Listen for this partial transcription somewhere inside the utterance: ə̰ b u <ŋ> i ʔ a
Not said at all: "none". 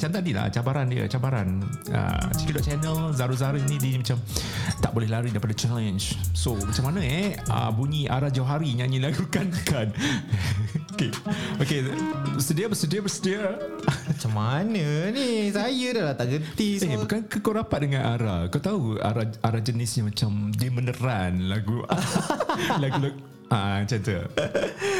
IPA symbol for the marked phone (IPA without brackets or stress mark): ɲ